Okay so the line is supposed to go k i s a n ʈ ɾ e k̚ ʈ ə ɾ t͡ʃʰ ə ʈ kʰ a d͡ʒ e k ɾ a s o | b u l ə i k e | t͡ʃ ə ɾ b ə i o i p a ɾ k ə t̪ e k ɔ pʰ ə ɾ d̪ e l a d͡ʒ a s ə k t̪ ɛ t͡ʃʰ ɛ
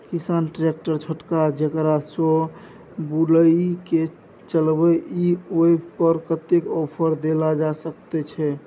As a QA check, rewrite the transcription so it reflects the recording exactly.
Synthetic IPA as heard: k i s a n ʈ ɾ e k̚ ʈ ə ɾ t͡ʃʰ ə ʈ k a d͡ʒ e k ɾ a s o | b u l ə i k e | t͡ʃ ə l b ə i o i p ə ɾ k ə t̪ e k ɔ pʰ ə ɾ d̪ e l a d͡ʒ a s ə k t̪ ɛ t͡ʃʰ ɛ